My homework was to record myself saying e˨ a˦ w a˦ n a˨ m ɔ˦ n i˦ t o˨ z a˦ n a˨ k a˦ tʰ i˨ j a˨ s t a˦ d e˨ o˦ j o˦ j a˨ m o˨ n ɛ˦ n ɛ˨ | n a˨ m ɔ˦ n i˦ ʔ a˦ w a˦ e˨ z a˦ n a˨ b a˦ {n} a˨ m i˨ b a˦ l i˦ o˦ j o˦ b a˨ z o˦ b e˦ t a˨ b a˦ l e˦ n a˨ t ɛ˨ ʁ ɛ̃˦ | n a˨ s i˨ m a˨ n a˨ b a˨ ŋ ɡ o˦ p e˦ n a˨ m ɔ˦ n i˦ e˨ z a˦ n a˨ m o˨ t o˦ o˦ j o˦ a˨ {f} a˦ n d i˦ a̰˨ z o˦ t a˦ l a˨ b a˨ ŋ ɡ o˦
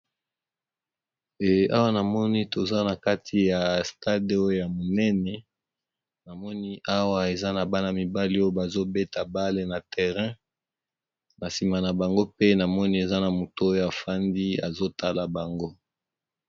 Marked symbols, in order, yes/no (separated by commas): yes, yes